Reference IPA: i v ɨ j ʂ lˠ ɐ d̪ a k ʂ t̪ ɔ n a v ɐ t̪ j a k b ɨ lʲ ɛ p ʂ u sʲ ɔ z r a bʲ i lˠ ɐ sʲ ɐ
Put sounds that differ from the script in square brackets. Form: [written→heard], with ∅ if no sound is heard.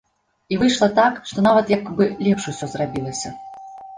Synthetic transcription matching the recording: i v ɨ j ʂ lˠ ɐ [d̪→t̪] a k ʂ t̪ ɔ n a v ɐ t̪ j a k b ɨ lʲ ɛ p ʂ u sʲ ɔ z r a bʲ i lˠ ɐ sʲ ɐ

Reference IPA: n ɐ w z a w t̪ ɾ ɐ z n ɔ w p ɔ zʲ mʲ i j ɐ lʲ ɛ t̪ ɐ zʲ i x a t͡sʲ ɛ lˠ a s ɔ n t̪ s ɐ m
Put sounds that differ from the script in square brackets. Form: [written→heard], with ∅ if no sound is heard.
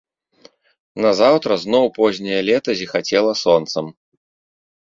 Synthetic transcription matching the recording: n ɐ [w→∅] z a w t̪ ɾ ɐ z n ɔ w p ɔ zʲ [mʲ→nʲ] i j ɐ lʲ ɛ t̪ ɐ zʲ i x a t͡sʲ ɛ lˠ [a→ɐ] s ɔ n t̪ s ɐ m

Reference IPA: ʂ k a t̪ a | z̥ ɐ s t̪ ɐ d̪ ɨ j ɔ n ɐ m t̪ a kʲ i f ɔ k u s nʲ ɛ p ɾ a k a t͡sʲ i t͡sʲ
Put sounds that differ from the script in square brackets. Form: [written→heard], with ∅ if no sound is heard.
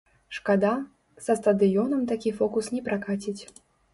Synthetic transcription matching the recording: ʂ k a [t̪→d̪] a | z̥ ɐ s t̪ ɐ d̪ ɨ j ɔ n ɐ m t̪ a kʲ i f ɔ k u s nʲ ɛ p ɾ a k a t͡sʲ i t͡sʲ

